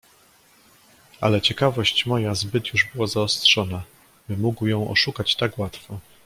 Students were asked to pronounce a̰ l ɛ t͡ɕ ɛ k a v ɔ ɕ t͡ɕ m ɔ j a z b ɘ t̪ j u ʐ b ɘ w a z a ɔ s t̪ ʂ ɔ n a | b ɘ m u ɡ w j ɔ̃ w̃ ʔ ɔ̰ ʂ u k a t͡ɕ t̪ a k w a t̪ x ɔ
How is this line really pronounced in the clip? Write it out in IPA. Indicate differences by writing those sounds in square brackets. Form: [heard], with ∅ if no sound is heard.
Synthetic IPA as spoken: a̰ l ɛ t͡ɕ ɛ k a v ɔ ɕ t͡ɕ m ɔ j a z b ɘ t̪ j u ʐ b ɘ w a z a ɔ s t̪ ʂ ɔ n a | b ɘ m u ɡ w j ɔ̃ w̃ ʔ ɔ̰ ʂ u k a t͡ɕ t̪ a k w a t̪ [f] ɔ